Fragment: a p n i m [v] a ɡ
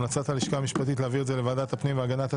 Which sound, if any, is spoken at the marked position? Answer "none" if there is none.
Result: v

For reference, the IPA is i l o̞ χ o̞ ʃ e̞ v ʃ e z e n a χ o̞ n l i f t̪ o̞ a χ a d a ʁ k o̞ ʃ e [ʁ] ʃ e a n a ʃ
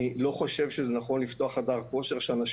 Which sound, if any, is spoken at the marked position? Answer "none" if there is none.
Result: ʁ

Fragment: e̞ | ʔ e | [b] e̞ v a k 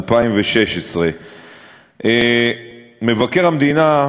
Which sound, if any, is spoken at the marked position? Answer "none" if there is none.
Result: m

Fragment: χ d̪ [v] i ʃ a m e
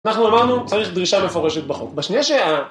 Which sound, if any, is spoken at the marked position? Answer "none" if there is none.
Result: ʁ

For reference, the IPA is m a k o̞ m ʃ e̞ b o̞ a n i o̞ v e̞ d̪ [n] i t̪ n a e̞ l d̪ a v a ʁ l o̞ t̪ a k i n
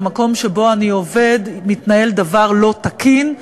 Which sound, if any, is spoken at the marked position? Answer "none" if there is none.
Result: m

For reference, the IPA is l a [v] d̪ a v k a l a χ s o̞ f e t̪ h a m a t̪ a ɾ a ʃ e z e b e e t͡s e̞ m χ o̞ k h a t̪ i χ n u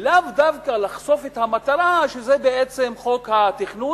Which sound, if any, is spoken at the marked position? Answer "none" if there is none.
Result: v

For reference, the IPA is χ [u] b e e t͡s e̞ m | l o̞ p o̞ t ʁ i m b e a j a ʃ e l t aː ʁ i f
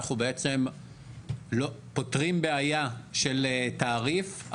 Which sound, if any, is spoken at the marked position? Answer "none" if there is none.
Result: u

